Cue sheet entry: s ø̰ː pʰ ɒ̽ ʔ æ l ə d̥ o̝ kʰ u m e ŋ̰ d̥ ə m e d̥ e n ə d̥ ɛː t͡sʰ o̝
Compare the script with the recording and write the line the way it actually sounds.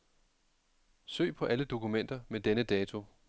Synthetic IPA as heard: s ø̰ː pʰ ɒ̽ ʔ æ l ə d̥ o̝ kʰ u m e n̰ d̥ ɐ m e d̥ e n ə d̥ ɛː t͡sʰ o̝